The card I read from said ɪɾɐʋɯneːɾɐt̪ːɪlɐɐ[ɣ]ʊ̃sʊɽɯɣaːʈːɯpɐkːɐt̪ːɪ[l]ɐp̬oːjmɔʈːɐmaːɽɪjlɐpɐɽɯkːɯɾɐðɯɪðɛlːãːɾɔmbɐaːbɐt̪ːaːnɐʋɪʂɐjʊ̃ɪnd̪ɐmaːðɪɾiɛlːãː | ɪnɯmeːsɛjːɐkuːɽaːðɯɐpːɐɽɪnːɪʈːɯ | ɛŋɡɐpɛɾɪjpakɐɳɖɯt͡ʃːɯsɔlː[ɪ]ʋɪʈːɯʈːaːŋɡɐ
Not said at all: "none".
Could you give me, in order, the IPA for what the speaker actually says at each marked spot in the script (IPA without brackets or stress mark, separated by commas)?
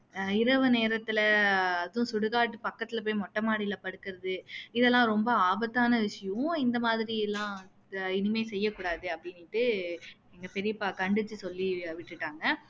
ð, l, i